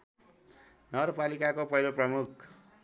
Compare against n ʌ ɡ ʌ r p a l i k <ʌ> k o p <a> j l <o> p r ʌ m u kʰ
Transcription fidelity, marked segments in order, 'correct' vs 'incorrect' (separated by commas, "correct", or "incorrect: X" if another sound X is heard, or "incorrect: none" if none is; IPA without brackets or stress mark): incorrect: a, incorrect: ʌ, correct